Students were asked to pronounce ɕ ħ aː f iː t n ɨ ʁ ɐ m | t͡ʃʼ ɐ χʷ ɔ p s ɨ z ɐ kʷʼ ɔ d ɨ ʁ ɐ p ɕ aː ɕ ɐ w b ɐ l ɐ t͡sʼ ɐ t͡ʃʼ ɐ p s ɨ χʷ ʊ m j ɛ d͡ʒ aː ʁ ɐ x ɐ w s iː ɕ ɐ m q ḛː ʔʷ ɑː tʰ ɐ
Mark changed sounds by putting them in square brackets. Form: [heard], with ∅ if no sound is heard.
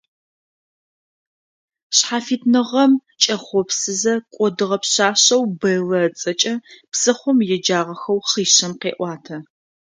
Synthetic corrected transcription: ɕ ħ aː f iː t n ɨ ʁ ɐ m | t͡ʃʼ ɐ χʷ ɔ p s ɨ z ɐ kʷʼ ɔ d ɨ ʁ ɐ p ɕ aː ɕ ɐ w b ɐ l ɐ t͡sʼ ɐ t͡ʃʼ ɐ p s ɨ χʷ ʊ m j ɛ d͡ʒ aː ʁ ɐ x ɐ w [χ] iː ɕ ɐ m q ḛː ʔʷ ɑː tʰ ɐ